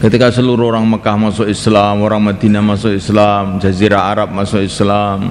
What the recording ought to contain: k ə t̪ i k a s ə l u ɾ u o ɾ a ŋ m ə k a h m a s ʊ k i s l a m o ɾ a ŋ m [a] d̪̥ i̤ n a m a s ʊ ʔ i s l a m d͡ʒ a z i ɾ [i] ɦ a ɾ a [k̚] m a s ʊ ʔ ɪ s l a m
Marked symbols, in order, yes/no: yes, no, no

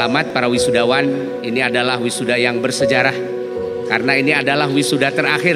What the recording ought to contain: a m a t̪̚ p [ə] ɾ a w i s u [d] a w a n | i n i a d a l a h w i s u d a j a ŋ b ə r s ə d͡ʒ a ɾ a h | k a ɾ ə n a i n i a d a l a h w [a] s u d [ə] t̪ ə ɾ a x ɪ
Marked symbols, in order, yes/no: no, yes, no, no

